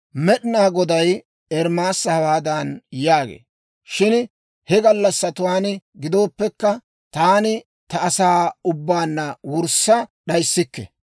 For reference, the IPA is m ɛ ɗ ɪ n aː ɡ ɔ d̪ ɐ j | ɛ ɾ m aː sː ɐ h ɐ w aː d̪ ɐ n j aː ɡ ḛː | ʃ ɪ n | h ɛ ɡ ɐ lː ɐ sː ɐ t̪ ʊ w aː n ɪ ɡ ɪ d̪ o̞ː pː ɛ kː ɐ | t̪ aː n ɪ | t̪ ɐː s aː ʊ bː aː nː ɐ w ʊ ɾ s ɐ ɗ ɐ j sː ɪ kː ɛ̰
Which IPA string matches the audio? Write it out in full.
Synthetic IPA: m ɛ ɗ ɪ n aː ɡ ɔ d̪ ɐ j | ɛ ɾ m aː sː ɐ h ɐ w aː d̪ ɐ n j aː ɡ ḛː | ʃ ɪ n | h ɛ ɡ ɐ lː ɐ sː ɐ t̪ ʊ w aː n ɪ ɡ ɪ d̪ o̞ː pː ɛ kː ɐ | t̪ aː n ɪ | t̪ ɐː s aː ʊ bː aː nː ɐ w ʊ ɾ s ɐ ɗ ɐ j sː ɪ kː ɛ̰